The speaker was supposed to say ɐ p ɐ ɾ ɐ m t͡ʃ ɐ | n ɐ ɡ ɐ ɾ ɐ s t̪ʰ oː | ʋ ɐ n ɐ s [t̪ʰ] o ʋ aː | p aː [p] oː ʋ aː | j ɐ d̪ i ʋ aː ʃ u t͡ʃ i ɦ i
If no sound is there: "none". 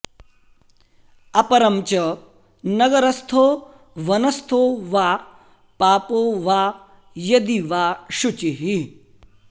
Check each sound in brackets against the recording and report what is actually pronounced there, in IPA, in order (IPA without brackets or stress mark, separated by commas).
t̪ʰ, p